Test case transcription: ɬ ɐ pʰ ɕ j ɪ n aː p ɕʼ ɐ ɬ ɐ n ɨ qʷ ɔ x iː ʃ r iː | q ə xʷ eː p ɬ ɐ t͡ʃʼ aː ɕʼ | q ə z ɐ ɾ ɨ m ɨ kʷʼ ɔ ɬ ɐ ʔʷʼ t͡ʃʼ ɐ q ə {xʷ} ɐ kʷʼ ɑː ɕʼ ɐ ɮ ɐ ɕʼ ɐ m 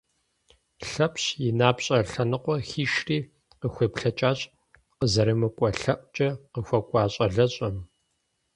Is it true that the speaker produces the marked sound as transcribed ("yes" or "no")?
yes